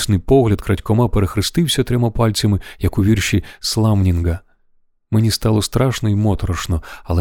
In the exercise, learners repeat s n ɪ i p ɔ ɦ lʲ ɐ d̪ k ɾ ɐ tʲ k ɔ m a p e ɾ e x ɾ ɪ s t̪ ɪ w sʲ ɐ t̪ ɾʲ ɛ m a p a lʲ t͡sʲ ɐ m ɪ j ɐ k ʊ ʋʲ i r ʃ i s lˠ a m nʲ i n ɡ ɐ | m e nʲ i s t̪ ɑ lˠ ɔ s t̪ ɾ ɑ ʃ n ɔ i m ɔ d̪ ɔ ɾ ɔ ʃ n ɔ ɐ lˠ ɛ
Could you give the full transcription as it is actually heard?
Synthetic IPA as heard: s n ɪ j p ɔ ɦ lʲ ɐ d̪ k ɾ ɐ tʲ k ɔ m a p e ɾ e x ɾ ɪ s t̪ ɪ w sʲ ɐ t̪ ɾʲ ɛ m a p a lʲ t͡sʲ ɐ m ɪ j ɐ k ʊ ʋʲ i r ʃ i s lˠ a m nʲ i n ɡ ɐ | m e nʲ i s t̪ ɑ lˠ ɔ s t̪ ɾ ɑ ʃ n ɔ i m ɔ t̪ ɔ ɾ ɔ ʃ n ɔ ɐ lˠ ɛ